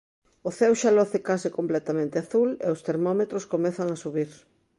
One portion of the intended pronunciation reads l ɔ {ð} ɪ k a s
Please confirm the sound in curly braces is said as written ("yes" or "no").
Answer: no